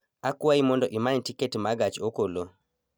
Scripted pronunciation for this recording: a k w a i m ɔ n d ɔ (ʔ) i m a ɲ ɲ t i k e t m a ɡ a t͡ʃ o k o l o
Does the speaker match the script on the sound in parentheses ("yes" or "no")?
yes